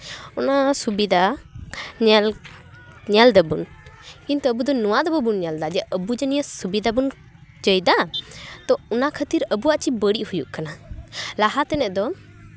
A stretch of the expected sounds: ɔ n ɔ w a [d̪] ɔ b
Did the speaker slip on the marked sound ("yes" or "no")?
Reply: no